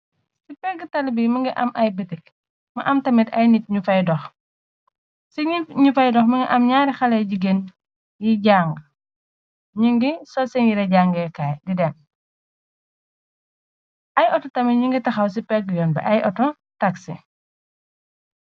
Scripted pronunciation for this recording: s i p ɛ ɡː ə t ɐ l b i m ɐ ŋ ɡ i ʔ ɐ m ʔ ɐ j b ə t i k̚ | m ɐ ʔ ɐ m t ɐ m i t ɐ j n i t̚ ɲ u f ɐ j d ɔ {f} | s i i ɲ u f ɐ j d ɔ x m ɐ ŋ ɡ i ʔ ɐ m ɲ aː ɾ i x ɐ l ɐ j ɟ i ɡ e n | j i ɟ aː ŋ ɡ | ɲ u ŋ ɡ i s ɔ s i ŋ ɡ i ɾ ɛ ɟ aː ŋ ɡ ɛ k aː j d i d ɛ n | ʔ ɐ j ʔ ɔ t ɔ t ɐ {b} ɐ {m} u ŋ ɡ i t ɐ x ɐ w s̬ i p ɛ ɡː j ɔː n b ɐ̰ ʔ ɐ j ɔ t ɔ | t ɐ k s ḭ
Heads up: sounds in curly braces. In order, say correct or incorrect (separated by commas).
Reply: incorrect, incorrect, incorrect